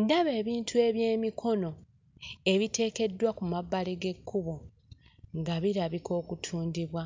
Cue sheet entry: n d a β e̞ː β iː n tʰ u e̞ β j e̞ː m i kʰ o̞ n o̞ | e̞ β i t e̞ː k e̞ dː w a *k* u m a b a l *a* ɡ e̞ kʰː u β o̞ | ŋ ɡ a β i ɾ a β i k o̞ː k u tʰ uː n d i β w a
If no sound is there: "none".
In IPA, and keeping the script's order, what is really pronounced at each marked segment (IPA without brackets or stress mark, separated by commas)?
k, e